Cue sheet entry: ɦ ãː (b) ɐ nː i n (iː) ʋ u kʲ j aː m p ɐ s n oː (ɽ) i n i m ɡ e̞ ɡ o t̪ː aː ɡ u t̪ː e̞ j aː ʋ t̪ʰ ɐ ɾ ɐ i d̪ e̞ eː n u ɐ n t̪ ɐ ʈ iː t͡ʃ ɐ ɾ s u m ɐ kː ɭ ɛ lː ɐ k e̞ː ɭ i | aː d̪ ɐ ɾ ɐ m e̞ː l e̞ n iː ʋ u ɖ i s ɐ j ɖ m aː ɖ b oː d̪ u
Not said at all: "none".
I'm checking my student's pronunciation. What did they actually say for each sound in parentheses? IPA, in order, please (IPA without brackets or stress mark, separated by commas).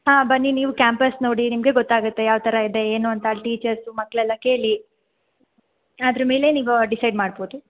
b, iː, ɽ